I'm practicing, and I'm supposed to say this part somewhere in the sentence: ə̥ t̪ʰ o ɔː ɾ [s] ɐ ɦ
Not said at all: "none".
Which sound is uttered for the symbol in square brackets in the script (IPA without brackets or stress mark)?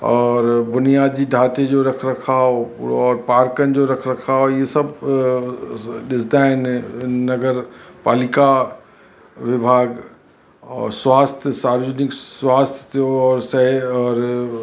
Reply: s